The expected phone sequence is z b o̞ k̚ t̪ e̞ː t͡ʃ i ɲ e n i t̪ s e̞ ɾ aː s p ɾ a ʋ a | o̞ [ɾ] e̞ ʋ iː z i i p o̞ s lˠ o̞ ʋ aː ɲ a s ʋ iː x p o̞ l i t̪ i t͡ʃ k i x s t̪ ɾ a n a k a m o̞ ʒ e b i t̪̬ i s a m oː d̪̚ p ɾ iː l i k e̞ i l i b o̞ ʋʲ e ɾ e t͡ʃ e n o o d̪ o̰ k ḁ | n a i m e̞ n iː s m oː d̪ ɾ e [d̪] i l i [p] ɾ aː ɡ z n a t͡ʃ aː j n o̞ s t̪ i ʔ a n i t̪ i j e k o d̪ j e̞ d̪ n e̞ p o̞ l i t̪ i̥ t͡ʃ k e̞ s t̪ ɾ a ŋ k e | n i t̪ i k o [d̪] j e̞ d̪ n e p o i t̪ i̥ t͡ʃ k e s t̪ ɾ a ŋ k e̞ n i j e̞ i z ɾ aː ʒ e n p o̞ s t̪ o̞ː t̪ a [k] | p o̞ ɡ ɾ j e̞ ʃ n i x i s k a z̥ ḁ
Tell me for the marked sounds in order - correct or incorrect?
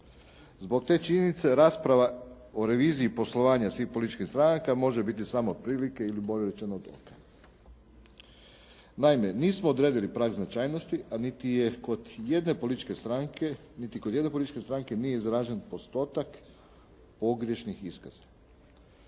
correct, correct, correct, correct, correct

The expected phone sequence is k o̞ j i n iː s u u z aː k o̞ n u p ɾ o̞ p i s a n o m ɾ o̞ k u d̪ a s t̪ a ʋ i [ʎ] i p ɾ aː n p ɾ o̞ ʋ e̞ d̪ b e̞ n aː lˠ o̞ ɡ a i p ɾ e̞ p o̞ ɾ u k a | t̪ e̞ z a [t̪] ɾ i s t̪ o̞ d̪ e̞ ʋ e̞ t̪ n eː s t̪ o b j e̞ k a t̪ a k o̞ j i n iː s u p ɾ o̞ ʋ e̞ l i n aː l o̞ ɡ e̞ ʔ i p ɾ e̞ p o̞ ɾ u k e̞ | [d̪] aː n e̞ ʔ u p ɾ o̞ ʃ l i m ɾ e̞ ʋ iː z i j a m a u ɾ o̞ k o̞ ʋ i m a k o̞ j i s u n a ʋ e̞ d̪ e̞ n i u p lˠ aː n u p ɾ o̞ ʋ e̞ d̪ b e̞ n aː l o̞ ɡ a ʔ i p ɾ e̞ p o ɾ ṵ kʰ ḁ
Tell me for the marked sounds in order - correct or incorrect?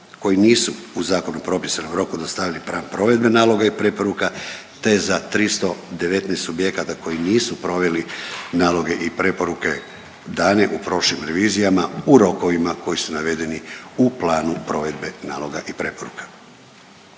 incorrect: l, correct, correct

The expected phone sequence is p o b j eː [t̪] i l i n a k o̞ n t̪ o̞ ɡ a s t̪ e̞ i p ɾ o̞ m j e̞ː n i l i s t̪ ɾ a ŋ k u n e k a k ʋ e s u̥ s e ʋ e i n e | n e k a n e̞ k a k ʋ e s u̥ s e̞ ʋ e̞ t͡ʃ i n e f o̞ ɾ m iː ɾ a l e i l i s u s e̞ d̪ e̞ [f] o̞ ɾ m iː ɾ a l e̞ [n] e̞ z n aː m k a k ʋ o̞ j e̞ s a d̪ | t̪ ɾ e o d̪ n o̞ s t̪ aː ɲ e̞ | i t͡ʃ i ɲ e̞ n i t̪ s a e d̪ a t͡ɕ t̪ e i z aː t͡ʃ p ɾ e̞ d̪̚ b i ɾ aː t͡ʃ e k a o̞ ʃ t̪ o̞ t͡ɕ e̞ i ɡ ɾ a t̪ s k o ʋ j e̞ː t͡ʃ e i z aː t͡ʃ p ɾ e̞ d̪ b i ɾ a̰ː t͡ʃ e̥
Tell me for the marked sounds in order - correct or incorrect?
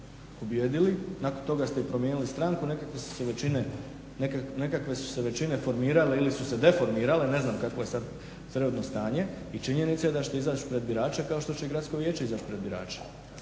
incorrect: d̪, correct, correct

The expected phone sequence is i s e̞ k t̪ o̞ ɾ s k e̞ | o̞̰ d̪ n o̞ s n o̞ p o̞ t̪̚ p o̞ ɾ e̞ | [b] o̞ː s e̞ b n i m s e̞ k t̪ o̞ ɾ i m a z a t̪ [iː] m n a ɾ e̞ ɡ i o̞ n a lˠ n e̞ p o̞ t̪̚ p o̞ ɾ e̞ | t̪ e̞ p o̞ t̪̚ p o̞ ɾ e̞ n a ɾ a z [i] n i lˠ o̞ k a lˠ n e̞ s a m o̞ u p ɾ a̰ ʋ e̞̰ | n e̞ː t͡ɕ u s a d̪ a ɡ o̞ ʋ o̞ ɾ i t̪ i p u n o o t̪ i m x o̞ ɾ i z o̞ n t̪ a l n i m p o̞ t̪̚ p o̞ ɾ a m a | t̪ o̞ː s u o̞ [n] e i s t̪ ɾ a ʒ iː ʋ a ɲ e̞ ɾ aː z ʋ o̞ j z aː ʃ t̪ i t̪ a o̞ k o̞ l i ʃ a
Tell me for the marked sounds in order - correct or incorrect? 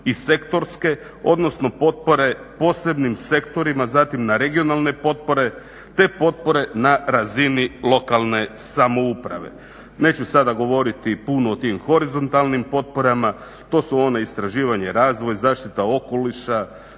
incorrect: p, incorrect: i, correct, correct

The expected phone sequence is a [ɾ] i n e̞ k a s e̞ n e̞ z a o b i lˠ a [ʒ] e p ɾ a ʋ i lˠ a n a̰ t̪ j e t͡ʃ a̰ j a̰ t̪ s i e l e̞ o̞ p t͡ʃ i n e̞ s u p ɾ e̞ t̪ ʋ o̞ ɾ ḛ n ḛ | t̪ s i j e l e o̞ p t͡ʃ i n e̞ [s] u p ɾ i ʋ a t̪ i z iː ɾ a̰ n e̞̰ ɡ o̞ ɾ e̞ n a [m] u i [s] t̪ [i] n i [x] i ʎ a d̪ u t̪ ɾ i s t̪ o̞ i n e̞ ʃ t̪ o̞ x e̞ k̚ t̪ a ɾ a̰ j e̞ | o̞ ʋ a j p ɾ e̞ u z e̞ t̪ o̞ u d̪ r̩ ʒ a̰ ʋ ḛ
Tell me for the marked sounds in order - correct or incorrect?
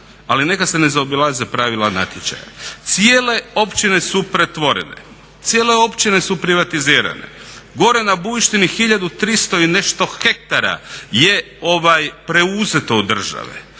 incorrect: l, incorrect: z, correct, incorrect: b, incorrect: ʃ, correct, correct

